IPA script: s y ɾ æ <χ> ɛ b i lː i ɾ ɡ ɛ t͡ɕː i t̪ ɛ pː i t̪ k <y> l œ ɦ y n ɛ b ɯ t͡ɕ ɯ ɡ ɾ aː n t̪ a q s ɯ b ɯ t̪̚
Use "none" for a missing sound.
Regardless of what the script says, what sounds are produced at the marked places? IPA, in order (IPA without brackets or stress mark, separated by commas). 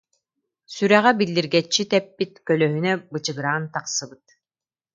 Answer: ʁ, œ